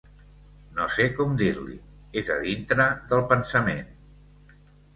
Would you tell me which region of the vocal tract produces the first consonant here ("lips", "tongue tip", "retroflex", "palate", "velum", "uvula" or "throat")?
tongue tip